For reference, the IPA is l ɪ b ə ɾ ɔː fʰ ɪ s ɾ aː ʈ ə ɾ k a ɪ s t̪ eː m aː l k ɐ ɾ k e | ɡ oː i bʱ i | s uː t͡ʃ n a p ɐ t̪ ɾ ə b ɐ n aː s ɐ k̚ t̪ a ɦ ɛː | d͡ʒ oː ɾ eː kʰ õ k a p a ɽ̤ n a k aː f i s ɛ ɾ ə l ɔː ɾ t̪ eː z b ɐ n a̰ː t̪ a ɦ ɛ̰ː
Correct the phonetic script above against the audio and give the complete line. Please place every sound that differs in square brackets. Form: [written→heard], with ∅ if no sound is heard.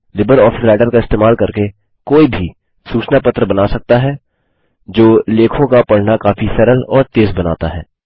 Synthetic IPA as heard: l ɪ b ə ɾ ɔː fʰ ɪ s ɾ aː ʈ ə ɾ k a ɪ s t̪ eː m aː l k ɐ ɾ k e | [ɡ→k] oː i bʱ i | s uː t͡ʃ n a p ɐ t̪ ɾ ə b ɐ n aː s ɐ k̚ t̪ a ɦ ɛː | d͡ʒ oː [ɾ→l] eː kʰ õ k a p [a→ɐ] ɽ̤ n a k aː f i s ɛ ɾ ə l ɔː ɾ t̪ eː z b ɐ n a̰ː t̪ a ɦ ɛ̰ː